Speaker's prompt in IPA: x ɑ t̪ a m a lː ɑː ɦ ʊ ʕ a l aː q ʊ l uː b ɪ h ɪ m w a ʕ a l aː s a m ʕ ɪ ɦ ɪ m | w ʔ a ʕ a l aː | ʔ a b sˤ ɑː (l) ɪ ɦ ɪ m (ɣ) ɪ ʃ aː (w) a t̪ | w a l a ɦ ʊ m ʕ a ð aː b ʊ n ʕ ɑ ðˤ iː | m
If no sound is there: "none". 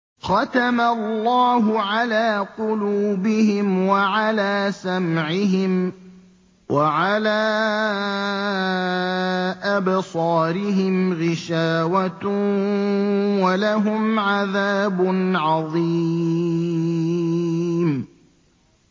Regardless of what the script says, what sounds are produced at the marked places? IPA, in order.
ɾ, ɣ, w

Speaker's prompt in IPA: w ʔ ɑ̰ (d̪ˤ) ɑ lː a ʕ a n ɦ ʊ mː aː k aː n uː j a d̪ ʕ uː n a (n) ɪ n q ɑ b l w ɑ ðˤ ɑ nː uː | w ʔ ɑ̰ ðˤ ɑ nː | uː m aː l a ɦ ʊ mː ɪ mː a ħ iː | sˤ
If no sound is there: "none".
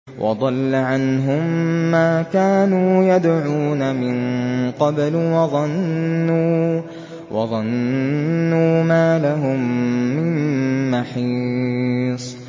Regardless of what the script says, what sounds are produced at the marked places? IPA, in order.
d̪ˤ, m

